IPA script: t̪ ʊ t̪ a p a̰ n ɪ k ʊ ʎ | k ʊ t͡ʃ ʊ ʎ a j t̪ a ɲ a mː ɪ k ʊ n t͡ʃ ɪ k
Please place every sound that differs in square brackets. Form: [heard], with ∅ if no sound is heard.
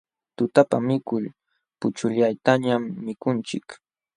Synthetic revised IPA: t̪ ʊ t̪ a p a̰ [m] ɪ k ʊ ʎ | [p] ʊ t͡ʃ ʊ ʎ a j t̪ a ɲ a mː ɪ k ʊ n t͡ʃ ɪ k

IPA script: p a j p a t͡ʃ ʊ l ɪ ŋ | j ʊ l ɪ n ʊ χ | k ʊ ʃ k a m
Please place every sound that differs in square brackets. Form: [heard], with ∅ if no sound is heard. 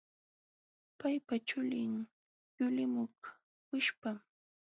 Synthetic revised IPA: p a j p a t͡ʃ ʊ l ɪ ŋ | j ʊ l ɪ [m] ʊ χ | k ʊ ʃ [p] a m

